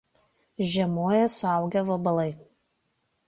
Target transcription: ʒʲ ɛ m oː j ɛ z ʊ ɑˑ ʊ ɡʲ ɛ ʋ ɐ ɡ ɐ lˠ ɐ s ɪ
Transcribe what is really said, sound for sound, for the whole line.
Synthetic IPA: ʒʲ ɛ m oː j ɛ s ʊ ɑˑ ʊ ɡʲ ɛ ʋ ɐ b ɐ lˠ ɐ ɪ